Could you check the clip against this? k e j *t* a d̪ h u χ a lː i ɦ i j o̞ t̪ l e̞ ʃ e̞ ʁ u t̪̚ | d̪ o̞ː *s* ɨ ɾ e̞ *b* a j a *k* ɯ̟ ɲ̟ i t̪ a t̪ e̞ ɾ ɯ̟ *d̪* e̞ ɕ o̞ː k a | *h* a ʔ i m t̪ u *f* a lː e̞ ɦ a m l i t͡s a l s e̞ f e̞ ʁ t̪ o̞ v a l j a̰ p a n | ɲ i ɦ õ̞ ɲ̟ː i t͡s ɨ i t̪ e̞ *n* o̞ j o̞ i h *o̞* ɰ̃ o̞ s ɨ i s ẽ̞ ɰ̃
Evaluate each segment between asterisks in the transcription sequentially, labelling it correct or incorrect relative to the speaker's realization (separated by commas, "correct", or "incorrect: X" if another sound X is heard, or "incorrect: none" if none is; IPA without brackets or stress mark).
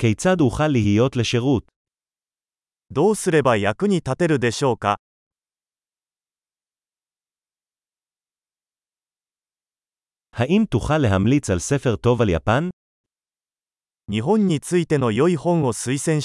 incorrect: t͡s, correct, correct, correct, correct, correct, incorrect: χ, correct, incorrect: õ̞